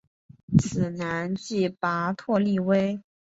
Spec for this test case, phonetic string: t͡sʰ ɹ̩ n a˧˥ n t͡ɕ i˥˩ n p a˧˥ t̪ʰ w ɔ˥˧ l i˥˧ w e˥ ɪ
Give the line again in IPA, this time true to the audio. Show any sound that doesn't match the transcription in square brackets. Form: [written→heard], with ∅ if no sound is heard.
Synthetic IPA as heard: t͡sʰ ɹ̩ n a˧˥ n t͡ɕ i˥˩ [n→∅] p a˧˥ t̪ʰ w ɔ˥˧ l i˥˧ w e˥ ɪ